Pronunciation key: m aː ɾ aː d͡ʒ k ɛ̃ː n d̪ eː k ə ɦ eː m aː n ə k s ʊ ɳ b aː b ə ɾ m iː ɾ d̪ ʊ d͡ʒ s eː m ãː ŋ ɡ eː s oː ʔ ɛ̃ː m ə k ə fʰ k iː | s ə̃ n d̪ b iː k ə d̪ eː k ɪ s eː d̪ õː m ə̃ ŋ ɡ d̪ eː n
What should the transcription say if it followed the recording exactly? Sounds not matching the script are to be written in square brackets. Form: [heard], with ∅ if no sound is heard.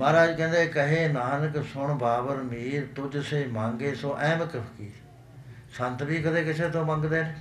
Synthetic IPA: m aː ɾ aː d͡ʒ k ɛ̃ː n d̪ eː k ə ɦ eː [n] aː n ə k s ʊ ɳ b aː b ə ɾ m iː ɾ [t̪] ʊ d͡ʒ s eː m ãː ŋ ɡ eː s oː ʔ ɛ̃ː m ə k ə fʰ k iː | s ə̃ n [t̪] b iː k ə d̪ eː k ɪ s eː [t̪] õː m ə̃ ŋ ɡ d̪ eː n